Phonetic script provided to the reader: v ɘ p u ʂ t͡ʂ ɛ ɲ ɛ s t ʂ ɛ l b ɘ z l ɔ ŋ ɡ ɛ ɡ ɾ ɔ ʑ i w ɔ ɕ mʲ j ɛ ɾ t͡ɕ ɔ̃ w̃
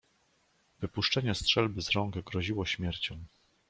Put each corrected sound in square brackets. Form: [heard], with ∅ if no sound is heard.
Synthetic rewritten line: v ɘ p u ʂ t͡ʂ ɛ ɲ ɛ s t ʂ ɛ l b ɘ z [ɾ] ɔ ŋ ɡ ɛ ɡ ɾ ɔ ʑ i w ɔ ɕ mʲ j ɛ ɾ t͡ɕ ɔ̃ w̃